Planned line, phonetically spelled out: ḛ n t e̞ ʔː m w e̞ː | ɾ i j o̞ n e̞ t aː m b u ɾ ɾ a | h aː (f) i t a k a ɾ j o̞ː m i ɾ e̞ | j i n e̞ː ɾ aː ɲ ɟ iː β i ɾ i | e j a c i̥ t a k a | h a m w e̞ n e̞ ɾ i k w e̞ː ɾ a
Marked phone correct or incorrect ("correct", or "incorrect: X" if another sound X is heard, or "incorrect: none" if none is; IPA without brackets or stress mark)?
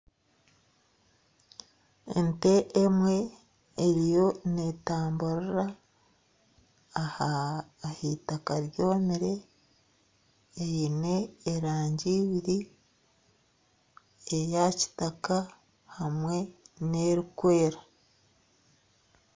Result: incorrect: h